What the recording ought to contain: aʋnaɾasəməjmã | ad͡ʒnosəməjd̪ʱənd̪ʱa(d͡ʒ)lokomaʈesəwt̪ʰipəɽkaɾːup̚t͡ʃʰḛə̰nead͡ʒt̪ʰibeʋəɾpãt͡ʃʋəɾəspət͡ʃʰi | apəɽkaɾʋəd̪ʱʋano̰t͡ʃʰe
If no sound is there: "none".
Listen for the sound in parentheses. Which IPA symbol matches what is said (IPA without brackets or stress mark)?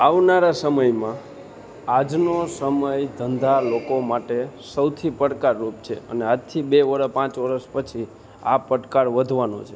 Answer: none